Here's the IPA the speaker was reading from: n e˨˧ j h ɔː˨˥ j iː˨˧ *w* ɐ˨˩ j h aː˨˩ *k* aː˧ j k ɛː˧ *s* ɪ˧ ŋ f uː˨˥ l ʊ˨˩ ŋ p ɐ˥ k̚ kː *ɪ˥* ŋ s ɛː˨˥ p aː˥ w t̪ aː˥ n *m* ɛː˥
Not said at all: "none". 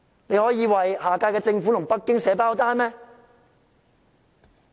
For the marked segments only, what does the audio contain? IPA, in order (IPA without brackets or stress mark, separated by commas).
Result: w, k, t͡s, ɪ˥, m